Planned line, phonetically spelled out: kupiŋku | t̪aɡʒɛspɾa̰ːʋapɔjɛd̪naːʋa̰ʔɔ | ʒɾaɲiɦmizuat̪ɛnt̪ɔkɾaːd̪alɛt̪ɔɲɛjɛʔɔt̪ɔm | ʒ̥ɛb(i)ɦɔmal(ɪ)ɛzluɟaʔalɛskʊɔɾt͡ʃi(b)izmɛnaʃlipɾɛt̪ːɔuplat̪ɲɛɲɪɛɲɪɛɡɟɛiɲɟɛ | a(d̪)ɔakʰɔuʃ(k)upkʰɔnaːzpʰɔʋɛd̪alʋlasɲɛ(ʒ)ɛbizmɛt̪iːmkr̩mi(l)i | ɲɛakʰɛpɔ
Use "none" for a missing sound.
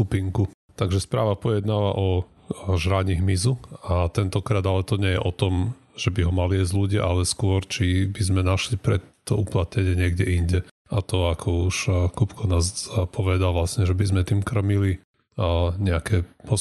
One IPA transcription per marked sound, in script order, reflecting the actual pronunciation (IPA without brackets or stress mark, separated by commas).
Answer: i, i, b, t̪, k, ʒ, l